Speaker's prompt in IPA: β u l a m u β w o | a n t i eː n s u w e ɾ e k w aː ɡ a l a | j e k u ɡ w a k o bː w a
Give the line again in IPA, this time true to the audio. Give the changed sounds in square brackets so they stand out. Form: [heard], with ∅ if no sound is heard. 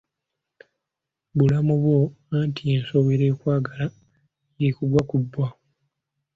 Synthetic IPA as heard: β u l a m u β w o | a n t i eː n s [o] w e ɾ e k w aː ɡ a l a | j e k u ɡ w a k [u] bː w a